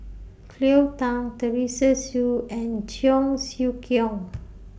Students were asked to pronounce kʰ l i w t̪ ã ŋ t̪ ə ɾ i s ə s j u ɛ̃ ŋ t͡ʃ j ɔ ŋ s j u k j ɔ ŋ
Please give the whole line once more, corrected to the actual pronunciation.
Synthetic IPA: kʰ l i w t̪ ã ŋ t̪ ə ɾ i s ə s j u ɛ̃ n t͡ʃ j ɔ ŋ s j u k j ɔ ŋ